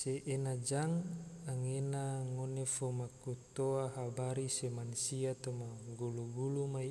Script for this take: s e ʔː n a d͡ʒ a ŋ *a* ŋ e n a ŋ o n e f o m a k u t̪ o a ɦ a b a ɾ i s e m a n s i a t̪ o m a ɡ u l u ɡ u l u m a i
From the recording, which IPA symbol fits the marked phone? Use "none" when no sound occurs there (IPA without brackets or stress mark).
a